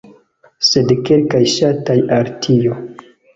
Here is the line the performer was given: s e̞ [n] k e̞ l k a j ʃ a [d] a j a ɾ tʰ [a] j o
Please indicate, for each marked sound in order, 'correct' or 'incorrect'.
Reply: incorrect, incorrect, incorrect

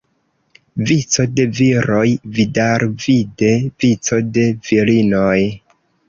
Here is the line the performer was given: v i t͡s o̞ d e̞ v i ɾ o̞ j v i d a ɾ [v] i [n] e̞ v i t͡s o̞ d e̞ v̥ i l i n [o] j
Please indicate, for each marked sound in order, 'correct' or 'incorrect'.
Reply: correct, incorrect, correct

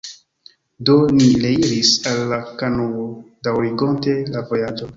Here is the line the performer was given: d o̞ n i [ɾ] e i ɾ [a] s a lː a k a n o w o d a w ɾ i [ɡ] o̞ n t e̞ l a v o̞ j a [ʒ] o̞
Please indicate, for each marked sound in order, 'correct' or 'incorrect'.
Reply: incorrect, incorrect, correct, incorrect

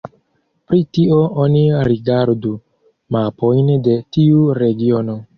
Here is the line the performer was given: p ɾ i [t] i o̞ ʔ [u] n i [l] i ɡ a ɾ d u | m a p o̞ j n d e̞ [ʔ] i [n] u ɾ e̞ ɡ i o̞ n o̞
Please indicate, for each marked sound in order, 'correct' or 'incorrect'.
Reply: correct, incorrect, incorrect, incorrect, incorrect

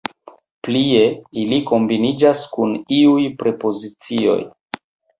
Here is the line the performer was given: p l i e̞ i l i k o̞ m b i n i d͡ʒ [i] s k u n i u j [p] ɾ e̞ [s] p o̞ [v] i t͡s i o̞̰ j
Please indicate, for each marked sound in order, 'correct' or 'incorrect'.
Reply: incorrect, correct, incorrect, incorrect

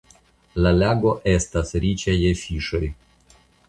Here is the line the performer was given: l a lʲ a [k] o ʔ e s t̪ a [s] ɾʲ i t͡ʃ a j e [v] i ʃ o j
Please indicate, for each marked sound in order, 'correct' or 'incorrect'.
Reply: incorrect, correct, incorrect

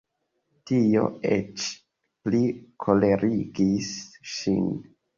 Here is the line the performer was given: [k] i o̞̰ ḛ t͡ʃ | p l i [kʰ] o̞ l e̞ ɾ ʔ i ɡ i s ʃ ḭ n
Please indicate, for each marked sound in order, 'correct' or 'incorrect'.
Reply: incorrect, correct

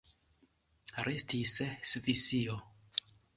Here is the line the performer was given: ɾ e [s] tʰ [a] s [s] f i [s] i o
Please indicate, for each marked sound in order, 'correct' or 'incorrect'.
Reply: correct, incorrect, correct, correct

